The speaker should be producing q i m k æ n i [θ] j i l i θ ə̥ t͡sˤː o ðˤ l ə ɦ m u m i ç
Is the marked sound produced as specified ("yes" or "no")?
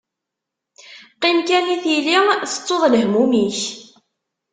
yes